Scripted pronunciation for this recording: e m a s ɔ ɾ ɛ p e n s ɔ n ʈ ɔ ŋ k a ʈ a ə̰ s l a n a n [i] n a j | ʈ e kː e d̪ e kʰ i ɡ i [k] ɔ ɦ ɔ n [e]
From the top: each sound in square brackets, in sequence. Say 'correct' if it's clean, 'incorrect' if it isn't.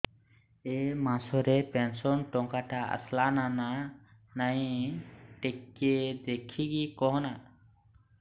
incorrect: a, correct, incorrect: a

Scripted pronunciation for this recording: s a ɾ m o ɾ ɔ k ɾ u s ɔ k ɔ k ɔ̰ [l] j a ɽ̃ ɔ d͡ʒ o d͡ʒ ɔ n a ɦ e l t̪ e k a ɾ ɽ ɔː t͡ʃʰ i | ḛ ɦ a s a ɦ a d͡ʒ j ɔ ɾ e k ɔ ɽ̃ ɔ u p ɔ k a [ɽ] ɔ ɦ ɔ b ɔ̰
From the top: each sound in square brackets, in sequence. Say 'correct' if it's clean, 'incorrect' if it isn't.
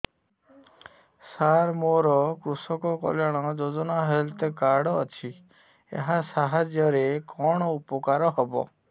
correct, incorrect: ɾ

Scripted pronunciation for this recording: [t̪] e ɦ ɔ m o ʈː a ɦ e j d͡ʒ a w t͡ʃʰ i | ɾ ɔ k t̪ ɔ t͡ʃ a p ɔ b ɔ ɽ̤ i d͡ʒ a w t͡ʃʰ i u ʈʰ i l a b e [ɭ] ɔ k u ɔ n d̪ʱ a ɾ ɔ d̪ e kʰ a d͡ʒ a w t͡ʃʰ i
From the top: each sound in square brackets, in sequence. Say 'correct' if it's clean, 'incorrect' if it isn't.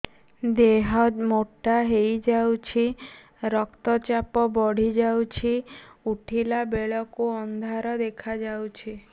incorrect: d̪, correct

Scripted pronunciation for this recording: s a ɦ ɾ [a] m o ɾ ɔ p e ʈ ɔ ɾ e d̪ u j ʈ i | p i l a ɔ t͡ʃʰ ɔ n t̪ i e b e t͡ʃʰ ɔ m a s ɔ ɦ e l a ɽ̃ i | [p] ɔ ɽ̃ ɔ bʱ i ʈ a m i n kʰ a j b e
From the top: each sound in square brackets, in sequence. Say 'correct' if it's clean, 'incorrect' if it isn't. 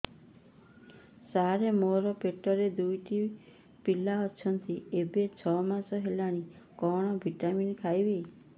incorrect: e, incorrect: k

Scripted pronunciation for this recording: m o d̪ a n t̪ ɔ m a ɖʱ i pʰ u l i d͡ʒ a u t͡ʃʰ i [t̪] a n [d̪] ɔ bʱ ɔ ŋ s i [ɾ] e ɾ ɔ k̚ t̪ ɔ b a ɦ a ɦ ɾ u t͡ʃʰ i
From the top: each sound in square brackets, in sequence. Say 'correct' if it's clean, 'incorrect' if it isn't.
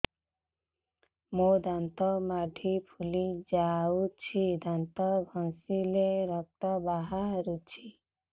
incorrect: d̪, incorrect: t̪, incorrect: l

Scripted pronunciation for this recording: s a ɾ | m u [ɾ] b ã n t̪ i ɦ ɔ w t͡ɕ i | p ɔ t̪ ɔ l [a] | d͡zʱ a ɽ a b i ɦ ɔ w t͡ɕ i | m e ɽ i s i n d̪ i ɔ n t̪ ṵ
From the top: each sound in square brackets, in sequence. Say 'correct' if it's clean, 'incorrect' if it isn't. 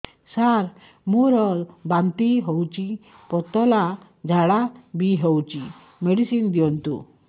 correct, correct

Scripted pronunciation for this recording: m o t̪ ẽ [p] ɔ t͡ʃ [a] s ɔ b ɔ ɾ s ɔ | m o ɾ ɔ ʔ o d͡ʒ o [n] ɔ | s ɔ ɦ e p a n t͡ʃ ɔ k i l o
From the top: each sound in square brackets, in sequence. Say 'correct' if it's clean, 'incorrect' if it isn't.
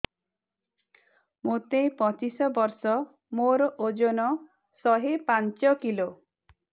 correct, incorrect: i, correct

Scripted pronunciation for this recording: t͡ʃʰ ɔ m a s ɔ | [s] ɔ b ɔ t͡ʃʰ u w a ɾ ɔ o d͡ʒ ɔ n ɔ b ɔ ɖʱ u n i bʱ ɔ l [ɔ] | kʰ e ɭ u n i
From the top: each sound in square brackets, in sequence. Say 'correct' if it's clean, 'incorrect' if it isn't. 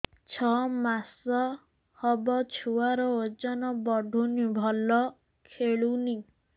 incorrect: h, correct

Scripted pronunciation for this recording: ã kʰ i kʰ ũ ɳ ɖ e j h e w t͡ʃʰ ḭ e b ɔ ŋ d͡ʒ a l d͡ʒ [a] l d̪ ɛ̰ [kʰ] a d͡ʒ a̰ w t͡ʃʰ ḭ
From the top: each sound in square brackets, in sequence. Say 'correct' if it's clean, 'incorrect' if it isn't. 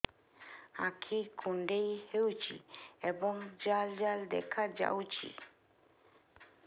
correct, correct

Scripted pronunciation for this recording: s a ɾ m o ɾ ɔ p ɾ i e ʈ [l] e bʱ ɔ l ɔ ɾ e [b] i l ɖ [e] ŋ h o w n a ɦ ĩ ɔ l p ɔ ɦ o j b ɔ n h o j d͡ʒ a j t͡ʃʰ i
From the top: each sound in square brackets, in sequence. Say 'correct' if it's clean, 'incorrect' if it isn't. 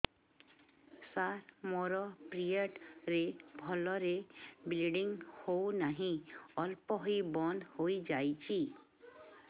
incorrect: ɾ, correct, incorrect: i

